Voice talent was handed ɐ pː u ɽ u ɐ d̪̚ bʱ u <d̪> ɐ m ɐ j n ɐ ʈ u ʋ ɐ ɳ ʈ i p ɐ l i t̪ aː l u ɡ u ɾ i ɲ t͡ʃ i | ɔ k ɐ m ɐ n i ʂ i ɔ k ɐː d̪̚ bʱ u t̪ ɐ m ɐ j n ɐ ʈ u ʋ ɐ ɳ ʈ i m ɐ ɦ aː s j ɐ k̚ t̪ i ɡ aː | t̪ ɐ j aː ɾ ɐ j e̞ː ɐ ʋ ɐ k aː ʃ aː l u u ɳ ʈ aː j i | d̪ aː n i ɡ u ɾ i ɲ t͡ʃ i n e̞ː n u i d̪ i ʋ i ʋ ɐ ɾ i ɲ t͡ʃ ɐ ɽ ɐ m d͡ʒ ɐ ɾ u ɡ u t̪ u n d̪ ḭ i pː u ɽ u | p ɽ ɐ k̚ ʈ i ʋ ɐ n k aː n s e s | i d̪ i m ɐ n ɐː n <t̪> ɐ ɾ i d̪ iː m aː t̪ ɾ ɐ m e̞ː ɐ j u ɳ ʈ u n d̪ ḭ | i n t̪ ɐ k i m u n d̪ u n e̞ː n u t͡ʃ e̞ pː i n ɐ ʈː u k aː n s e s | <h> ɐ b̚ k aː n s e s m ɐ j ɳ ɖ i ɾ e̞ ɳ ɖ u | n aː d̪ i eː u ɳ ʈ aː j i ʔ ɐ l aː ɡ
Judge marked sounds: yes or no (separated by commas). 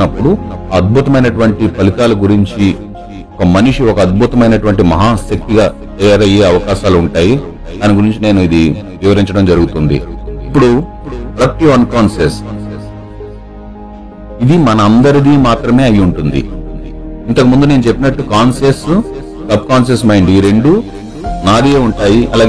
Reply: no, no, no